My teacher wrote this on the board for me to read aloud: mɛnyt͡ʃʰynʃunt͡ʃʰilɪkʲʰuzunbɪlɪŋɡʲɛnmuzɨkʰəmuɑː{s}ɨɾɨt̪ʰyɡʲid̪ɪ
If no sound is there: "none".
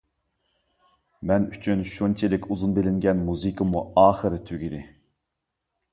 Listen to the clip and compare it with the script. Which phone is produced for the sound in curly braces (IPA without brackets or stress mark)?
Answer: χ